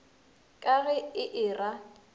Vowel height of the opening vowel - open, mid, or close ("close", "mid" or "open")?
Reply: open